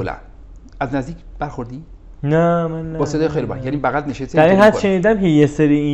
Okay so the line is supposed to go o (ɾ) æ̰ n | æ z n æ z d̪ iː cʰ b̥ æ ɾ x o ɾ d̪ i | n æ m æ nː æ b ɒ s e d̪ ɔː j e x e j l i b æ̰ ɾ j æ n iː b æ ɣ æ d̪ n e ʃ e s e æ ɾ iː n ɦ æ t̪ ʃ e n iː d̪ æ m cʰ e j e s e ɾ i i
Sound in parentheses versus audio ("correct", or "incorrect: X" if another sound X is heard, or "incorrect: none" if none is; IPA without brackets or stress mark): incorrect: l